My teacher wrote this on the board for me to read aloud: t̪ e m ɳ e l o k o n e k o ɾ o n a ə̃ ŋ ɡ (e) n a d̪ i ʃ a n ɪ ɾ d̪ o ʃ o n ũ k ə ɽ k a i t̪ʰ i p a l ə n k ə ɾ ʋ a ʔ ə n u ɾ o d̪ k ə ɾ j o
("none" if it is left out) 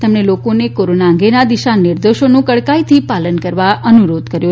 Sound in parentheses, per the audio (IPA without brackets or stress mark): e